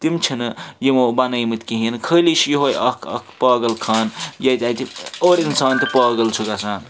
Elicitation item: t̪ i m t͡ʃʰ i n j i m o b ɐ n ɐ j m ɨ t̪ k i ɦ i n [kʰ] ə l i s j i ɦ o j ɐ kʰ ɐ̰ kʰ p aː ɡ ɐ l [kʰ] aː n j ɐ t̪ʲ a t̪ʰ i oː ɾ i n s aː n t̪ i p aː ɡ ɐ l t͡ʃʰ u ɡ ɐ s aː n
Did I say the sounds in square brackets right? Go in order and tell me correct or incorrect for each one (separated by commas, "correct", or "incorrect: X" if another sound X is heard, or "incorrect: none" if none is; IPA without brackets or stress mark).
correct, correct